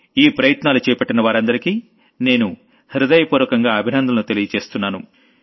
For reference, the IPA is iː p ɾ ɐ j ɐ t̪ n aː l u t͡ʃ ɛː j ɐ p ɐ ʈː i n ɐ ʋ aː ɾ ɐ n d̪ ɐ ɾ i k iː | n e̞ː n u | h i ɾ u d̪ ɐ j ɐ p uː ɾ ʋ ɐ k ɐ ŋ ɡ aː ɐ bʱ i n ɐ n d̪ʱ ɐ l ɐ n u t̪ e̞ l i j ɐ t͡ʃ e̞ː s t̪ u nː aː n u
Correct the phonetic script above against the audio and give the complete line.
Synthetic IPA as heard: iː p ɾ ɐ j ɐ t̪ n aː l u t͡ʃ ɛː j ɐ p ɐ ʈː i n ɐ ʋ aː ɾ ɐ n d̪ ɐ ɾ i k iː | n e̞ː n u | h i ɾ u d̪ ɐ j ɐ p uː ɾ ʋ ɐ k ɐ ŋ ɡ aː ɐ bʱ i n ɐ n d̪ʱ ɐ l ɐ n u t̪ e̞ l i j ɐ t͡ʃ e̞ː s t̪ u nː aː n u